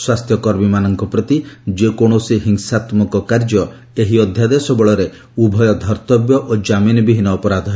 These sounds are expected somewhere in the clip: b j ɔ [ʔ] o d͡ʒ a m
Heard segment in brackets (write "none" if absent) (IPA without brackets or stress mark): ʔ